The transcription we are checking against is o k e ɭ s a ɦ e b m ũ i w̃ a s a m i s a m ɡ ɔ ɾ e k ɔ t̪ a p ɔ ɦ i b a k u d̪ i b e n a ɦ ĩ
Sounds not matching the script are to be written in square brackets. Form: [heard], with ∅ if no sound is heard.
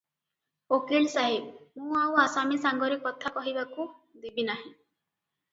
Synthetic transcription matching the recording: o k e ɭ s a ɦ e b m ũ [a] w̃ a s a m i s a [ŋ] ɡ ɔ ɾ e k ɔ [t̪ʰ] a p ɔ ɦ i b a k u d̪ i b [i] n a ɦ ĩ